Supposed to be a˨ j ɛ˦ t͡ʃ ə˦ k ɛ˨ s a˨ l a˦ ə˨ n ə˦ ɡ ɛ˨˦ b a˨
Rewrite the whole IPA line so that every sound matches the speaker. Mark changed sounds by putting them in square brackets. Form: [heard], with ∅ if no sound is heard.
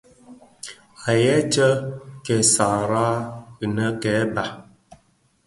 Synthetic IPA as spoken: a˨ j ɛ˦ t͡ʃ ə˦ k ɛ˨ s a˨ [ɾ] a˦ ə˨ n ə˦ [k] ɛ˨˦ b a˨